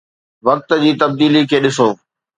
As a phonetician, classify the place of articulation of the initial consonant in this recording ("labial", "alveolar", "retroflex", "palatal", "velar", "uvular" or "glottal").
labial